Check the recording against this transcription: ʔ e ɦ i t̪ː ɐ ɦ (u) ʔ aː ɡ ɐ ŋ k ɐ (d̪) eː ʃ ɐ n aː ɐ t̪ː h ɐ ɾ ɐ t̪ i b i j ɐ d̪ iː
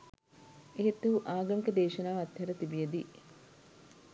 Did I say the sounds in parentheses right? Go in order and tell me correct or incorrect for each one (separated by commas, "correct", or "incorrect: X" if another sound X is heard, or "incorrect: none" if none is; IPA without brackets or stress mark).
correct, correct